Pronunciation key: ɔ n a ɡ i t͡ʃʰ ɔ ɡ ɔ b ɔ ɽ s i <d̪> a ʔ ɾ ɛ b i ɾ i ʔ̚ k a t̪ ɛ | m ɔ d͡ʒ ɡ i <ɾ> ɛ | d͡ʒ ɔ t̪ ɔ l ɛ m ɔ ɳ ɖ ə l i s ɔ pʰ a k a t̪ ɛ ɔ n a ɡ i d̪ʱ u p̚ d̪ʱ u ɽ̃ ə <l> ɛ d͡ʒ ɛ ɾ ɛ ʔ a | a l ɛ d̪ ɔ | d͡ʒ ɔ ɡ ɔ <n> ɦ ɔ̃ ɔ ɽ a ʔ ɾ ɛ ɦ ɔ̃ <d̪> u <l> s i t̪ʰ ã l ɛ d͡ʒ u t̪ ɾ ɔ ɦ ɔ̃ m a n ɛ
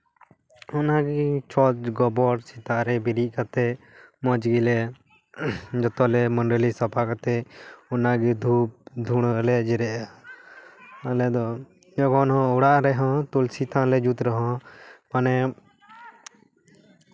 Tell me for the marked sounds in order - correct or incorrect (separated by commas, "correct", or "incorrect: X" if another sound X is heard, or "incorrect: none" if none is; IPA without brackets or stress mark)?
incorrect: t̪, incorrect: l, correct, correct, incorrect: t̪, correct